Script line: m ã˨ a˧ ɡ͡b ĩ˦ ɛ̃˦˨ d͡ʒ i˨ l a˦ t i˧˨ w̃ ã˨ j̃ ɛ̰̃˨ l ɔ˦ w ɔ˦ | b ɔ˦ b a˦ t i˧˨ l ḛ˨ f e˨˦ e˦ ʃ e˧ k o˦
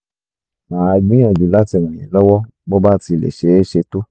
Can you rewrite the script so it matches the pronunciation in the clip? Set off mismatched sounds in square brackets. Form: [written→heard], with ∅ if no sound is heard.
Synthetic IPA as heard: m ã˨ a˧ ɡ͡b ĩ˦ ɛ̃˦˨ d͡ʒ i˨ l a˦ t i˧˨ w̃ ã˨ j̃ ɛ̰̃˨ l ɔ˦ w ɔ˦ | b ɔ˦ b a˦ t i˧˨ l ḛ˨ [f→ʃ] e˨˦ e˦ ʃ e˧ [k→t] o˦